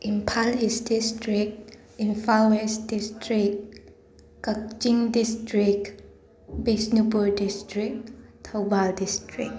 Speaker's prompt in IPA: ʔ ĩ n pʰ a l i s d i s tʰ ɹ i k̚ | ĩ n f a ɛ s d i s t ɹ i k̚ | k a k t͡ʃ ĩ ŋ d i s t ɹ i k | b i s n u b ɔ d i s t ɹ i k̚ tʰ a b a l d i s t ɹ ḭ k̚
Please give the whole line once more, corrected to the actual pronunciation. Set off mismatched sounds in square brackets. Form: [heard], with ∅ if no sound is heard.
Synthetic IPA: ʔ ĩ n pʰ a l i s d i s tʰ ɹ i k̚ | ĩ n f a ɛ s d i s t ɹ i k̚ | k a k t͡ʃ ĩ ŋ d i s t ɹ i k | b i s n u b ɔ d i s t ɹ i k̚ tʰ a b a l d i s t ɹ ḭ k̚

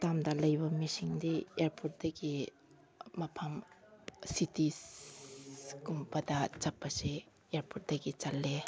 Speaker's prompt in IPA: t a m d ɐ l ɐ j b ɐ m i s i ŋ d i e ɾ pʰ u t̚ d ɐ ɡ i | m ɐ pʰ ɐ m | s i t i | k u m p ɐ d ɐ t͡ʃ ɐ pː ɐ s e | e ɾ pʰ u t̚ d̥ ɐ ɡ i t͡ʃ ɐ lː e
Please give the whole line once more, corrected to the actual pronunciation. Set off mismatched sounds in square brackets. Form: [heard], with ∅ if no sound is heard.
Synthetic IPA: t a m d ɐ l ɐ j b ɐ m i s i ŋ d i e ɾ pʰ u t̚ d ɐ ɡ i | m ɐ pʰ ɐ m | s i t i | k u m p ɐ d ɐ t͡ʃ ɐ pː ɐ s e | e ɾ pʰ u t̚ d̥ ɐ ɡ i t͡ʃ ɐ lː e

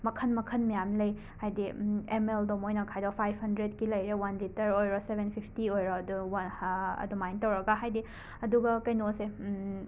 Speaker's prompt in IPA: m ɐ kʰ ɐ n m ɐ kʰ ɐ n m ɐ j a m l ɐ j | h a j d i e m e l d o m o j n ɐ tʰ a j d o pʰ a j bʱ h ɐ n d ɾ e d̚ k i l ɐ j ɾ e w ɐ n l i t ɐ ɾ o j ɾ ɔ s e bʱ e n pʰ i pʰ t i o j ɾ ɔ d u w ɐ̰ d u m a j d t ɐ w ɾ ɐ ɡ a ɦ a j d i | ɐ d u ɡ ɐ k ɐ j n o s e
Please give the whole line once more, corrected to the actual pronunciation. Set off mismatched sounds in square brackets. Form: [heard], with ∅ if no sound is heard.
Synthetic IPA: m ɐ kʰ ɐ n m ɐ kʰ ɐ n m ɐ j a m l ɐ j | h a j d i e m e l d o m o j n ɐ [kʰ] a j d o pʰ a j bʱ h ɐ n d ɾ e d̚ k i l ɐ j ɾ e w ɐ n l i t ɐ ɾ o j ɾ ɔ s e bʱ e n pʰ i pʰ t i o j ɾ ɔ d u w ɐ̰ d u m a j [n] t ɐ w ɾ ɐ ɡ a ɦ a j d i | ɐ d u ɡ ɐ k ɐ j n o s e

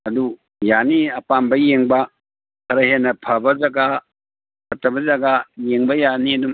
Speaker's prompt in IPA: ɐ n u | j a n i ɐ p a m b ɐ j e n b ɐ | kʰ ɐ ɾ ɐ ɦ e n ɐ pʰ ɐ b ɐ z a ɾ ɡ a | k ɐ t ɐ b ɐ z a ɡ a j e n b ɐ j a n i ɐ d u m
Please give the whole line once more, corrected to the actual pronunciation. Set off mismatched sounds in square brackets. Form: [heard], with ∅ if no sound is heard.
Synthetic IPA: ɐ [d] u | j a n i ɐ p a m b ɐ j e [ŋ] b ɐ | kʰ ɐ ɾ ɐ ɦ e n ɐ pʰ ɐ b ɐ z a [∅] ɡ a | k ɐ t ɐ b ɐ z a ɡ a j e [ŋ] b ɐ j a n i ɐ d u m

